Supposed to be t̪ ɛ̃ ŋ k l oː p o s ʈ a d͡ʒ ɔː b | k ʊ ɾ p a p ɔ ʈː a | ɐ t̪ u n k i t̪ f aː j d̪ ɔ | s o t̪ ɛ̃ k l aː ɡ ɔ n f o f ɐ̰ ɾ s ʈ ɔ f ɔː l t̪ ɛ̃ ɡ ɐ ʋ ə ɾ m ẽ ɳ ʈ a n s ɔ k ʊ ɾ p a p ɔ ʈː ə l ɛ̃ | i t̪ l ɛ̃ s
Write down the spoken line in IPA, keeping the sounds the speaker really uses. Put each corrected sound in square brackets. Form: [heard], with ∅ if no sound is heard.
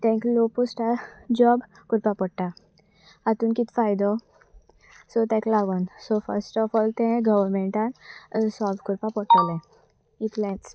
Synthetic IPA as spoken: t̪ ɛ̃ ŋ k l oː p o s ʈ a d͡ʒ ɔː b | k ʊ ɾ p a p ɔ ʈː a | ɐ t̪ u n k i t̪ f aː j d̪ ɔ | s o t̪ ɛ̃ k l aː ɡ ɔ n [s] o f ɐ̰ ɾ s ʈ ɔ f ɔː l t̪ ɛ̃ ɡ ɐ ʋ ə ɾ m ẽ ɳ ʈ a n s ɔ k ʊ ɾ p a p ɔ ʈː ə l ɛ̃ | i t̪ l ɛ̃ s

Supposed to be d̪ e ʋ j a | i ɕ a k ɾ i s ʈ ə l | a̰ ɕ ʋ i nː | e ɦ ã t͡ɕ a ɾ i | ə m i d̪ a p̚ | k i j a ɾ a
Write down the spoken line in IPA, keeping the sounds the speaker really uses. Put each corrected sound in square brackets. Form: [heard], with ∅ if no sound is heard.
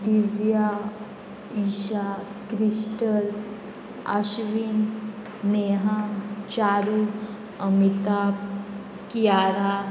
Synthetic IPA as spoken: d̪ [i] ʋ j a | i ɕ a k ɾ i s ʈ ə l | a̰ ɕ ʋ i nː | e ɦ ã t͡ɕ a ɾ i | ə m i [t̪] a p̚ | k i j a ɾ a

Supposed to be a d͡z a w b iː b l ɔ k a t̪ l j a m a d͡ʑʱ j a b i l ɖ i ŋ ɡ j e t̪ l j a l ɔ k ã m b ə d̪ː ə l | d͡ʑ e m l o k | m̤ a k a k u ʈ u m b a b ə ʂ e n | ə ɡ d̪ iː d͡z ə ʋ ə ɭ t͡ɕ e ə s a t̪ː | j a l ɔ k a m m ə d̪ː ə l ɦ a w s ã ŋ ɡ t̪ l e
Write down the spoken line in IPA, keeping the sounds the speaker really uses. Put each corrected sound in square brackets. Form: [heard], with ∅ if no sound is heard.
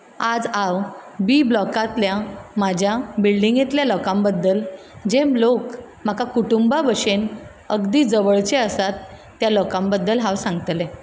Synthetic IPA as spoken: a d͡z a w b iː b l ɔ k a t̪ l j a m a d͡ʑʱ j a b i l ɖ i ŋ ɡ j e t̪ l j a l ɔ k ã m b ə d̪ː ə l | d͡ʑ e m l o k | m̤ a k a k u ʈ u m b a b ə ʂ e n | ə ɡ d̪ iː d͡z ə ʋ ə ɭ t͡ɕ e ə s a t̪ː | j a l ɔ k a m [b] ə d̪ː ə l ɦ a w s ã ŋ ɡ t̪ l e

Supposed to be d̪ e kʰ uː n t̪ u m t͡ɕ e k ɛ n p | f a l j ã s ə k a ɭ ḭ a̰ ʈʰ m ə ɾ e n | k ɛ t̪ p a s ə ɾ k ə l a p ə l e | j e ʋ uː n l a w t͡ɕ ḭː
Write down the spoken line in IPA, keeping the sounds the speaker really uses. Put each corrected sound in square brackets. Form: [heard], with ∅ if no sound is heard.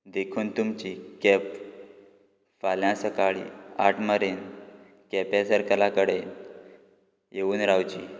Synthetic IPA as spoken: d̪ e kʰ uː n t̪ u m t͡ɕ [i] k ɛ [∅] p | f a l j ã s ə k a ɭ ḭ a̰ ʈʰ m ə ɾ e n | k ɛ [∅] p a s ə ɾ k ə l a [k] ə [ɽ] e | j e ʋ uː n [ɾ] a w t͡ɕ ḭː

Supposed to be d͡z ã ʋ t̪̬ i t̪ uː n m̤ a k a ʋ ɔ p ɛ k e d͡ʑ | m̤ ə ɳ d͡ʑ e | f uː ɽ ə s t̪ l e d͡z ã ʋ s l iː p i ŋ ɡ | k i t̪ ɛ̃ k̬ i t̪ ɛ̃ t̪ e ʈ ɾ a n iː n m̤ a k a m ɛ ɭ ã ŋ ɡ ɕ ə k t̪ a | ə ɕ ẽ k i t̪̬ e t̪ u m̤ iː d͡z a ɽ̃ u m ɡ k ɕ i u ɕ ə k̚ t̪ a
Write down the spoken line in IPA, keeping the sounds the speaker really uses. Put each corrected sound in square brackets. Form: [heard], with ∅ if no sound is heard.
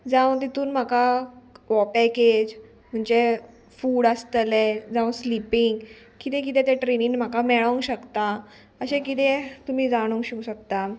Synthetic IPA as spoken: d͡z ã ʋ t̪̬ i t̪ uː n m̤ a k a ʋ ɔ p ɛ k e d͡ʑ | m̤ ə ɳ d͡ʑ e | f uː ɽ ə s t̪ l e d͡z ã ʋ s l [i] p i ŋ ɡ | k i t̪ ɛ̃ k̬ i t̪ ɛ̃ t̪ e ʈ ɾ [e] n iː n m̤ a k a m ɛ ɭ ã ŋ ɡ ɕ ə k t̪ a | ə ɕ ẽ k i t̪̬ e t̪ u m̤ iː d͡z a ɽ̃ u [ŋ] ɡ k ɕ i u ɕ ə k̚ t̪ a

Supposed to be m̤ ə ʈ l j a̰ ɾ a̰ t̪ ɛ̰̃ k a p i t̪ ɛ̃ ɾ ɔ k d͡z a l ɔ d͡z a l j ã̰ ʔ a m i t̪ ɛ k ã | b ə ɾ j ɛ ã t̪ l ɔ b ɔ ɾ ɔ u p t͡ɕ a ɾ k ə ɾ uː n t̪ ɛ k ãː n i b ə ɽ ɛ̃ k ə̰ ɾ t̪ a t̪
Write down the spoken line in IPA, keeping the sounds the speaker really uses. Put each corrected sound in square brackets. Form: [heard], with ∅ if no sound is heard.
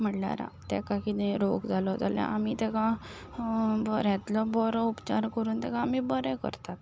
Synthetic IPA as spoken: m̤ ə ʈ l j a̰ ɾ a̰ t̪ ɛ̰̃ k a [k] i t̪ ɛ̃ ɾ [o] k d͡z a l ɔ d͡z a l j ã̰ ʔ a m i t̪ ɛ k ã | b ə ɾ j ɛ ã t̪ l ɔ b ɔ ɾ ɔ u p t͡ɕ a ɾ k ə ɾ uː n t̪ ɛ k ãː [m] i b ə [ɾ] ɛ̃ k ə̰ ɾ t̪ a t̪

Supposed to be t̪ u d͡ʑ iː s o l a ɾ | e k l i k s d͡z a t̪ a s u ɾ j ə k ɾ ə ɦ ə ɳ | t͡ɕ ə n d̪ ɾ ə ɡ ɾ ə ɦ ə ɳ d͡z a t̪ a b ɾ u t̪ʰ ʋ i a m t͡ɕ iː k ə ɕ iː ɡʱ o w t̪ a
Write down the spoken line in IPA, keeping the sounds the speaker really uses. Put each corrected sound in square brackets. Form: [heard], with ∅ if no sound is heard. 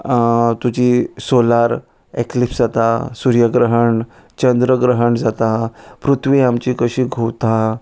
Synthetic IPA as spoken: t̪ u d͡ʑ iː s o l a ɾ | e k l i [p] s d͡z a t̪ a s u ɾ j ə [ɡ] ɾ ə ɦ ə ɳ | t͡ɕ ə n d̪ ɾ ə ɡ ɾ ə ɦ ə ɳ d͡z a t̪ a [p] ɾ u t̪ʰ ʋ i a m t͡ɕ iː k ə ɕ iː ɡʱ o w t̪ a

